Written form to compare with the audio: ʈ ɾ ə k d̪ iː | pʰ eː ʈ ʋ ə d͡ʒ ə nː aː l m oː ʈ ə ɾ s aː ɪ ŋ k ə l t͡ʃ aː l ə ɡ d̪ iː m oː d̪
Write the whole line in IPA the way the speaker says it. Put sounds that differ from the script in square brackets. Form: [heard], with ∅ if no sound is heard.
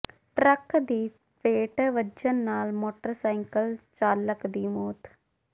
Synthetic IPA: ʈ ɾ ə k d̪ iː | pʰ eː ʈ ʋ ə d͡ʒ ə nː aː l m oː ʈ ə ɾ s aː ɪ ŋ k ə l t͡ʃ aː l ə [k] d̪ iː m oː [t̪]

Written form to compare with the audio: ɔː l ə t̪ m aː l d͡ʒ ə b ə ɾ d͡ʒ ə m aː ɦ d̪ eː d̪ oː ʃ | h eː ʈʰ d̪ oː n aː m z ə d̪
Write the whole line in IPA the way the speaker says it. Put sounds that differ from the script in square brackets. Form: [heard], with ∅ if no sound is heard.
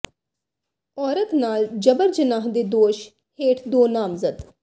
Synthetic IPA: ɔː [ɾ] ə t̪ [n] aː l d͡ʒ ə b ə ɾ d͡ʒ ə [n] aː ɦ d̪ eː d̪ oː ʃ | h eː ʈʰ d̪ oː n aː m z ə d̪

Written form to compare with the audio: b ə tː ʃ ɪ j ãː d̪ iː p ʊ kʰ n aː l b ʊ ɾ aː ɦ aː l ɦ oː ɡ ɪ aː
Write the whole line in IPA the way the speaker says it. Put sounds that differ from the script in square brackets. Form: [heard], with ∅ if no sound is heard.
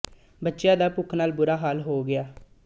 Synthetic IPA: b ə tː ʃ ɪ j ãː d̪ [aː] p ʊ kʰ n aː l b ʊ ɾ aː ɦ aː l ɦ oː ɡ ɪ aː

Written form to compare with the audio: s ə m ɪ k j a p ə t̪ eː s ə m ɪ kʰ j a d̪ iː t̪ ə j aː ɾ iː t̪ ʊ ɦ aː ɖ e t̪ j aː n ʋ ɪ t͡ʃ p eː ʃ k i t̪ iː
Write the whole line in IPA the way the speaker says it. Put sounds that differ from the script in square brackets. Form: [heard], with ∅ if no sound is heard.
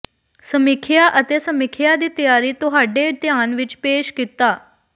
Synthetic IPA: s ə m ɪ [kʰ] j a [ʔ] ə t̪ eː s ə m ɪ kʰ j a d̪ iː t̪ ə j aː ɾ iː t̪ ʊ ɦ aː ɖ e t̪ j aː n ʋ ɪ t͡ʃ p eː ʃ k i t̪ [aː]

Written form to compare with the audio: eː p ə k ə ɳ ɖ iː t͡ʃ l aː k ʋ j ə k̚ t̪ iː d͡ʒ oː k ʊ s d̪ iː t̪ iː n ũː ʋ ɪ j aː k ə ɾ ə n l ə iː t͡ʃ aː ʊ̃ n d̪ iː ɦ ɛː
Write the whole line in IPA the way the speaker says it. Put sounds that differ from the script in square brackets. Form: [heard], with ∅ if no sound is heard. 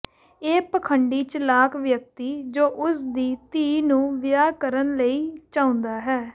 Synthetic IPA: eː p ə [kʰ] ə ɳ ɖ iː t͡ʃ l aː k ʋ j ə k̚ t̪ iː d͡ʒ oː [ʔ] ʊ s d̪ iː t̪ iː n ũː ʋ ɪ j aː k ə ɾ ə n l ə iː t͡ʃ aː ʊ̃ n d̪ [aː] ɦ ɛː

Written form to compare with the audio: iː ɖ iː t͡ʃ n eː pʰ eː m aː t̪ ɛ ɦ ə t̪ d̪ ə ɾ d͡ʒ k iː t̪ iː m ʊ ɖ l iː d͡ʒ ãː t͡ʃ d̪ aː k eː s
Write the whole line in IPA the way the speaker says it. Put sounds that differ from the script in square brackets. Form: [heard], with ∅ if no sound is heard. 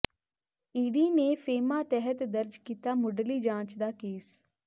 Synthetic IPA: iː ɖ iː [∅] n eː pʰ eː m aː t̪ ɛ ɦ ə t̪ d̪ ə ɾ d͡ʒ k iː t̪ [aː] m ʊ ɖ l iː d͡ʒ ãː t͡ʃ d̪ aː k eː s

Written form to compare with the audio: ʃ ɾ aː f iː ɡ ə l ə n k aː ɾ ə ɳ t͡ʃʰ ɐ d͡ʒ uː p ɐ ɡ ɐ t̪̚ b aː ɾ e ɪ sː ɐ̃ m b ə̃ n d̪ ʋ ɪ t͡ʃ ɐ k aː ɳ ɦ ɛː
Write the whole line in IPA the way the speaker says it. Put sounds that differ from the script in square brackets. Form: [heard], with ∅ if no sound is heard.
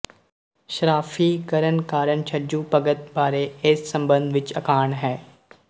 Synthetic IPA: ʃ ɾ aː f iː [k] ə [ɾ] ə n k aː ɾ ə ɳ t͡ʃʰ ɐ d͡ʒ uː p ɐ ɡ [ə] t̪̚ b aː ɾ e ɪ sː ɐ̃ m b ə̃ n d̪ ʋ ɪ t͡ʃ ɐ k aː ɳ ɦ ɛː

